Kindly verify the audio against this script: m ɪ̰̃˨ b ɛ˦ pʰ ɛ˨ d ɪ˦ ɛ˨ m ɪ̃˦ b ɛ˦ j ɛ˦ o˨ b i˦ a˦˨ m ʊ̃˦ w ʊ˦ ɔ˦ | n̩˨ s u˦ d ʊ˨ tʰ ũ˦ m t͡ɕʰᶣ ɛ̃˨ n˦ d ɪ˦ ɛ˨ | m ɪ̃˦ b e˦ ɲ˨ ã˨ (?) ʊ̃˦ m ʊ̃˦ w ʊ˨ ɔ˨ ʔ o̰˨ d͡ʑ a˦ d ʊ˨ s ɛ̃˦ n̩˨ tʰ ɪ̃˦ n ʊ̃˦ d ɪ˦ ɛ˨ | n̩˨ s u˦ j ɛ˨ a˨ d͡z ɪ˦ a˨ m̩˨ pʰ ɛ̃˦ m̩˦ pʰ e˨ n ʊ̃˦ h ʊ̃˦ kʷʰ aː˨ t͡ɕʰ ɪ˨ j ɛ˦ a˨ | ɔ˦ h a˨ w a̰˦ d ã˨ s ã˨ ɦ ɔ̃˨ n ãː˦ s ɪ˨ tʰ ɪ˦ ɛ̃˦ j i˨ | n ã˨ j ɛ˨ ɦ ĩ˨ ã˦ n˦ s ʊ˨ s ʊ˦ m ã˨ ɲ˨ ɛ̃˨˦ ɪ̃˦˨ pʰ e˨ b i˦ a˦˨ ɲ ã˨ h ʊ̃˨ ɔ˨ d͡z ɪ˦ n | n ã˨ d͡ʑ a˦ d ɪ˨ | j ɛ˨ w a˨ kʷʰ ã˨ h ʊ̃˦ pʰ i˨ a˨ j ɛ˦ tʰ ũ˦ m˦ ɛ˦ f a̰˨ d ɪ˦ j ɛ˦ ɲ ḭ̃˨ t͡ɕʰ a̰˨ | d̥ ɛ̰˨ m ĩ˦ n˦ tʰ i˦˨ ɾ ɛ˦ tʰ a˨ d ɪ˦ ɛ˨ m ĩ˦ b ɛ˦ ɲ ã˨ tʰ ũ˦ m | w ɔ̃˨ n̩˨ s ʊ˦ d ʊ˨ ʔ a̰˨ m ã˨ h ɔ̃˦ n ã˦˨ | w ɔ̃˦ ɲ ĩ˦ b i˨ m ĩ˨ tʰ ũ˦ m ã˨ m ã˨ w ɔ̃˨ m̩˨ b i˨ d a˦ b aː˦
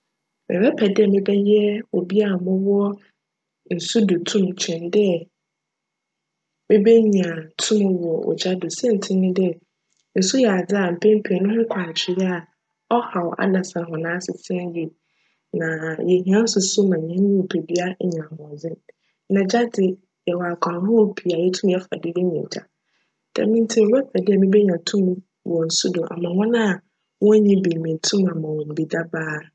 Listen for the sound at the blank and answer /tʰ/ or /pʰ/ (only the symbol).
tʰ